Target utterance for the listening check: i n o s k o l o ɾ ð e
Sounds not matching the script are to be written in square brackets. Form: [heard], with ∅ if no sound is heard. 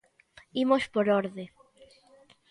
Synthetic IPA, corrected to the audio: i [m] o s [p] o [ɾ] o ɾ ð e